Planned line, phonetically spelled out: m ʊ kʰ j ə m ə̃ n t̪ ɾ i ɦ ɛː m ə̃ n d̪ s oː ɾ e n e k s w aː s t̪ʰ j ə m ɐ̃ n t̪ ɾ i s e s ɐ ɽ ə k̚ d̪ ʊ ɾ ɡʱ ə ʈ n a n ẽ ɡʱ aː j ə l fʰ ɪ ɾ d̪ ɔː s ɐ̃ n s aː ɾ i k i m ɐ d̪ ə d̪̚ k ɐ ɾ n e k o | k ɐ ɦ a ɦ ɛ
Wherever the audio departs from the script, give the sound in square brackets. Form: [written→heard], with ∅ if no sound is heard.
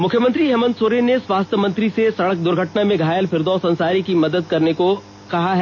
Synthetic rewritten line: m ʊ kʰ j ə m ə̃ n t̪ ɾ i ɦ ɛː m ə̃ n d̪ s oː ɾ e n e [k→∅] s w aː s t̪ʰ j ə m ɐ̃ n t̪ ɾ i s e s ɐ ɽ ə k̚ d̪ ʊ ɾ ɡʱ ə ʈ n a [n→m] ẽ ɡʱ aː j ə l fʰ ɪ ɾ d̪ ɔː s ɐ̃ n s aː ɾ i k i m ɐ d̪ ə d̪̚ k ɐ ɾ n e k o | k ɐ ɦ a ɦ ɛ

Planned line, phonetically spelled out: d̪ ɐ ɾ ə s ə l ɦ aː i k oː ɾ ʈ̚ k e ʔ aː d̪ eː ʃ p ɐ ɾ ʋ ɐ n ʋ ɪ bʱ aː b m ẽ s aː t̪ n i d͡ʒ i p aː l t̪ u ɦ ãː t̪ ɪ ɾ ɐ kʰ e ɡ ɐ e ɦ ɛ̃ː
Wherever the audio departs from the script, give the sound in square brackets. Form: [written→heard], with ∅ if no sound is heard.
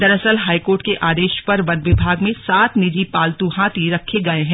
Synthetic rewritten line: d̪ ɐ ɾ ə s ə l ɦ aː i k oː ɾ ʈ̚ k e ʔ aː d̪ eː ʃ p ɐ ɾ ʋ ɐ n ʋ ɪ bʱ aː [b→ɡ] m ẽ s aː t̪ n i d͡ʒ i p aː l t̪ u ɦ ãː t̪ [ɪ→i] ɾ ɐ kʰ e ɡ ɐ e ɦ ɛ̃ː

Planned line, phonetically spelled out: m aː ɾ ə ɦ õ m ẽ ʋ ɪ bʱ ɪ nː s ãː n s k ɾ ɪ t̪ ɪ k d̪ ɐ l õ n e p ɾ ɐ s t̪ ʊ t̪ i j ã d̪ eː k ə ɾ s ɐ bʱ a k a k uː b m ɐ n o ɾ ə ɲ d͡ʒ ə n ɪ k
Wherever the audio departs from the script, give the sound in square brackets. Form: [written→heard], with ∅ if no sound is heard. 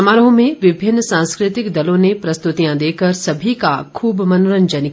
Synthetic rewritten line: m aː ɾ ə ɦ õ m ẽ ʋ ɪ bʱ ɪ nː s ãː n s k ɾ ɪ t̪ ɪ k d̪ ɐ l õ n e p ɾ ɐ s t̪ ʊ t̪ i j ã d̪ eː k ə ɾ s ɐ bʱ [a→i] k a [k→kʰ] uː b m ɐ n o ɾ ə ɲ d͡ʒ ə n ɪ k

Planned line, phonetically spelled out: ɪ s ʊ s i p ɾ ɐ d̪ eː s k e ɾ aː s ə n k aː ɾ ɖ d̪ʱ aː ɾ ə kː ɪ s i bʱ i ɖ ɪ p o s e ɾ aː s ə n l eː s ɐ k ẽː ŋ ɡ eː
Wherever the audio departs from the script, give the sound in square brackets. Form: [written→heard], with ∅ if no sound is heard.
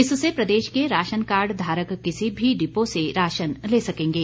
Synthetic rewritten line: ɪ s ʊ s [i→e] p ɾ ɐ d̪ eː [s→ʃ] k e ɾ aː [s→ʃ] ə n k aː ɾ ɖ d̪ʱ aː ɾ ə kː ɪ s i bʱ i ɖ ɪ p o s e ɾ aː [s→ʃ] ə n l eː s ɐ k ẽː ŋ ɡ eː

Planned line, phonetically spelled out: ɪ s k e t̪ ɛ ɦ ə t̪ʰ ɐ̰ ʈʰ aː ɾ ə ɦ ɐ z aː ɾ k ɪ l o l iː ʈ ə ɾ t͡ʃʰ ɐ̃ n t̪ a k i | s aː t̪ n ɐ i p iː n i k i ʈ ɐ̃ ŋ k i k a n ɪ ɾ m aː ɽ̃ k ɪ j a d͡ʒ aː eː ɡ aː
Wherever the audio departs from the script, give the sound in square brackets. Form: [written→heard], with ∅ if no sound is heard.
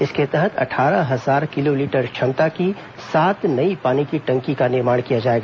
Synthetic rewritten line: ɪ s k e t̪ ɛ ɦ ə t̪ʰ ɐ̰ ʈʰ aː ɾ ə ɦ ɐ z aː ɾ k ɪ l o l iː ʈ ə ɾ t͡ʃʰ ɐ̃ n t̪ a k i | s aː t̪ n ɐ i p [iː→aː] n i k i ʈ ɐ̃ ŋ k i k a n ɪ ɾ m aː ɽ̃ k [ɪ→i] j a d͡ʒ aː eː ɡ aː

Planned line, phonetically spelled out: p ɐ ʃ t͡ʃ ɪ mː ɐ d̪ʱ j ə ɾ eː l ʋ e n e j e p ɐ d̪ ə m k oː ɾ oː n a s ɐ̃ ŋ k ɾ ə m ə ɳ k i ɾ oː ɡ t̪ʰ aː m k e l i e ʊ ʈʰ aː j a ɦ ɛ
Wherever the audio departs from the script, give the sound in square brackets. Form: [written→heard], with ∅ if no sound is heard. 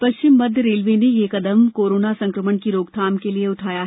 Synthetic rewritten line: p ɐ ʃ t͡ʃ ɪ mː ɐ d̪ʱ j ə ɾ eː l ʋ e n e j e [p→k] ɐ d̪ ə m k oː ɾ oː n a s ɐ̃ ŋ k ɾ ə m ə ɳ k i ɾ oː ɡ t̪ʰ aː m k e l i e ʊ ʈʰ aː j a ɦ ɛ

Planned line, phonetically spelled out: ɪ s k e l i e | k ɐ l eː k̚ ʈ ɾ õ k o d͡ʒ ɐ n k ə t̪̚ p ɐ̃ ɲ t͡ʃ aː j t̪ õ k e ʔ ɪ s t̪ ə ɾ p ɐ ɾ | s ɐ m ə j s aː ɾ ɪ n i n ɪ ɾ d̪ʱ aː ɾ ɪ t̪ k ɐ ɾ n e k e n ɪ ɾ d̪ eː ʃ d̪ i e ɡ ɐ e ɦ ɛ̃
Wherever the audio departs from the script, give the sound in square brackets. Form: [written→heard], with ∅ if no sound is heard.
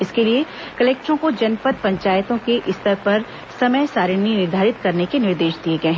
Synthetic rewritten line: ɪ s k e l i e | k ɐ l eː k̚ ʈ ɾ õ k o d͡ʒ ɐ n [k→p] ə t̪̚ p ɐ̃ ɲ t͡ʃ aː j t̪ õ k e ʔ ɪ s t̪ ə ɾ p ɐ ɾ | s ɐ m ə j s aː ɾ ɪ n i n ɪ ɾ d̪ʱ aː ɾ ɪ t̪ k ɐ ɾ n e k e n ɪ ɾ d̪ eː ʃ d̪ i e ɡ ɐ e ɦ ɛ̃

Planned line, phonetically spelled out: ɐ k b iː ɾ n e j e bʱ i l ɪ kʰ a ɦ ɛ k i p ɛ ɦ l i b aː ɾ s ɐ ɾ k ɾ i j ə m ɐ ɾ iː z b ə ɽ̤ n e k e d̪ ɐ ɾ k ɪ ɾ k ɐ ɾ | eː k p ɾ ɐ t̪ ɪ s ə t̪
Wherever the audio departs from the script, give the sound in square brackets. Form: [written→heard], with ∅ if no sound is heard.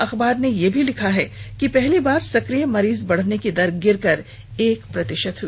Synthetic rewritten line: ɐ [k→x] b [iː→aː] ɾ n e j e bʱ i l ɪ kʰ a ɦ ɛ k i p ɛ ɦ l i b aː ɾ s ɐ [ɾ→∅] k ɾ i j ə m ɐ ɾ iː z b [ə→ɐ] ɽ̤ n e k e d̪ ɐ ɾ [k→ɡ] ɪ ɾ k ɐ ɾ | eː k p ɾ ɐ t̪ ɪ [s→ʃ] ə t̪

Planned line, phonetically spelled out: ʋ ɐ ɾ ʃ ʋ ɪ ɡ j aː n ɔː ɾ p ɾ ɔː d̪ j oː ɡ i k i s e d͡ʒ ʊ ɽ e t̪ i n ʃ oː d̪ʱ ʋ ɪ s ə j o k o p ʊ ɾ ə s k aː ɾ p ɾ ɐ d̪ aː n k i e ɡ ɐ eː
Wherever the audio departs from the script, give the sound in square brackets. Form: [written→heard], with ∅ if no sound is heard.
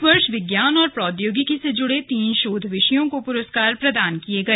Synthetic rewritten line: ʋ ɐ ɾ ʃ ʋ ɪ ɡ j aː n ɔː ɾ p ɾ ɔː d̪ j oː ɡ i k i s e d͡ʒ ʊ ɽ e t̪ [i→iː] n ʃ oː d̪ʱ ʋ ɪ [s→ʃ] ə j [o→õ] k o p ʊ ɾ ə s k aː ɾ p ɾ ɐ d̪ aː n k i e ɡ ɐ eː

